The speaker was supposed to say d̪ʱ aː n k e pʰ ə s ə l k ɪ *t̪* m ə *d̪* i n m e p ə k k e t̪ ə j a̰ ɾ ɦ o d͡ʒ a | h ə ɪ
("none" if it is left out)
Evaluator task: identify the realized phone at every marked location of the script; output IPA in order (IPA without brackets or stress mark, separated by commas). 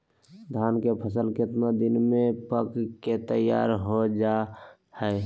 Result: t̪, d̪